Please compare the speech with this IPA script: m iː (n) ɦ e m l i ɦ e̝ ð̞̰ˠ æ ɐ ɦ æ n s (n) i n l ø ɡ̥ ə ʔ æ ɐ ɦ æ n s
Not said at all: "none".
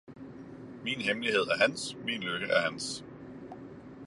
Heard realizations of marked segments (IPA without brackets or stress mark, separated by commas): n, m